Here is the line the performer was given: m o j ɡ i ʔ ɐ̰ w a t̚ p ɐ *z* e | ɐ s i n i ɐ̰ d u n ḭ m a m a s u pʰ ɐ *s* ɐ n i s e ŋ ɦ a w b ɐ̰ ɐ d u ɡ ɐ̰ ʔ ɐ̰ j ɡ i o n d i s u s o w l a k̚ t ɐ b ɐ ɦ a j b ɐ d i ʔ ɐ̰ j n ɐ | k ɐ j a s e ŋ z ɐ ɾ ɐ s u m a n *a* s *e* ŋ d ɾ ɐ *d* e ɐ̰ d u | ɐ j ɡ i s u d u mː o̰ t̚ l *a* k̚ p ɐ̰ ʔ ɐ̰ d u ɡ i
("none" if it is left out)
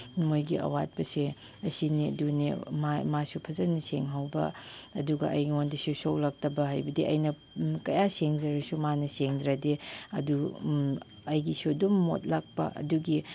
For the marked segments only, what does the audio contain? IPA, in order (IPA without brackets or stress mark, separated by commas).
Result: s, z, ɐ, e, d, a